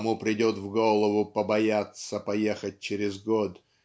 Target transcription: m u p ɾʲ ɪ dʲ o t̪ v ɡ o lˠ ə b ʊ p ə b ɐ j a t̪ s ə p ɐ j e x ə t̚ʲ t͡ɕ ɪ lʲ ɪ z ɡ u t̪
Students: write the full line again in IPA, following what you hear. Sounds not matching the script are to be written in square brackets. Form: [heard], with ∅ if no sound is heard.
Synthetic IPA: m u p ɾʲ ɪ dʲ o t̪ v ɡ o lˠ ə [v] ʊ p ə b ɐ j a t̪ s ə p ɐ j e x ə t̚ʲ t͡ɕ ɪ [ɾʲ] ɪ z ɡ [o] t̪

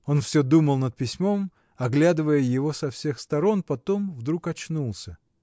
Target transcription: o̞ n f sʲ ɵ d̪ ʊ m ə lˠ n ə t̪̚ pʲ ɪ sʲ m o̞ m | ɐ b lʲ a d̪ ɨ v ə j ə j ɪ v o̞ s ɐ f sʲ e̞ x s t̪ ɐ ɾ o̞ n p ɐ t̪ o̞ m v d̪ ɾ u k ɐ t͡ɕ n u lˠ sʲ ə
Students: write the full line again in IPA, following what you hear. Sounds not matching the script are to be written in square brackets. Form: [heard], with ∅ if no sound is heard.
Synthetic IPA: o̞ n f sʲ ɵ d̪ [u] m ə lˠ n ə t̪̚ pʲ ɪ sʲ m o̞ m | ɐ [ɡ] lʲ a d̪ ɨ v ə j ə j ɪ v o̞ s ɐ f sʲ e̞ x s t̪ ɐ ɾ o̞ n p ɐ t̪ o̞ m v d̪ ɾ u k ɐ t͡ɕ n u lˠ sʲ ə

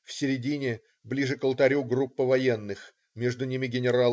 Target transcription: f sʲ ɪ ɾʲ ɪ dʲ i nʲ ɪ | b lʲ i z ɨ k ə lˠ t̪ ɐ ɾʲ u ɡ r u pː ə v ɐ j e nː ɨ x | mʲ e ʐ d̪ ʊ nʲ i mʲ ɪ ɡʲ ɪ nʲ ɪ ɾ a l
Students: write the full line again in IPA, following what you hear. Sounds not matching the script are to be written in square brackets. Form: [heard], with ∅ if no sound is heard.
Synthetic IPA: f sʲ ɪ ɾʲ ɪ dʲ i nʲ ɪ | b lʲ i [ʐ] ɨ k ə lˠ t̪ ɐ ɾʲ u ɡ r u pː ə v ɐ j e nː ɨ x | mʲ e ʐ d̪ ʊ nʲ i mʲ ɪ ɡʲ ɪ nʲ ɪ ɾ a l

